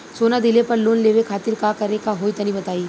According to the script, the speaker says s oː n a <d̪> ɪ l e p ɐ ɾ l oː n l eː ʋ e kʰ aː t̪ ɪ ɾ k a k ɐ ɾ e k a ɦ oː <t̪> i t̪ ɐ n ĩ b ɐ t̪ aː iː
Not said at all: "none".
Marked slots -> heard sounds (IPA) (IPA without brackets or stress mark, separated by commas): d̪, none